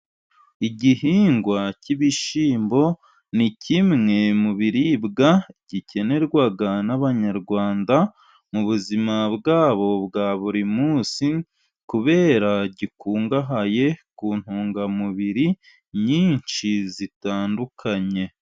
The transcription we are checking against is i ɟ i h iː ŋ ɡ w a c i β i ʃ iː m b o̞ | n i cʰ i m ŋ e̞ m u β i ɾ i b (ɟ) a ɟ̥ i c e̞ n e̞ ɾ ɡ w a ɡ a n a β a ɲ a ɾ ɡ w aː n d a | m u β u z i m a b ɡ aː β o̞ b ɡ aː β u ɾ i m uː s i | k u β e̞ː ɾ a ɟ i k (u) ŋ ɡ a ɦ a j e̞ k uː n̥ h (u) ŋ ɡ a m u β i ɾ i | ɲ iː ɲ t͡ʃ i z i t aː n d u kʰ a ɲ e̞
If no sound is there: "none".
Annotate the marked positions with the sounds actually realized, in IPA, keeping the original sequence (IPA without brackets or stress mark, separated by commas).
ɡ, uː, uː